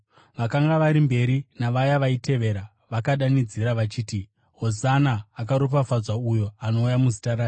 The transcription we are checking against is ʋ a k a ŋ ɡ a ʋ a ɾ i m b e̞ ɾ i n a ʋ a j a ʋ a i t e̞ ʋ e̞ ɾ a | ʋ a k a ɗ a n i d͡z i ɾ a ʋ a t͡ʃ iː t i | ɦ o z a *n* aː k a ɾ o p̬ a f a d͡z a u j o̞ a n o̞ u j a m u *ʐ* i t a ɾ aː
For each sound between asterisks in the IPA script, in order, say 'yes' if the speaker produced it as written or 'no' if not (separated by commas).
yes, no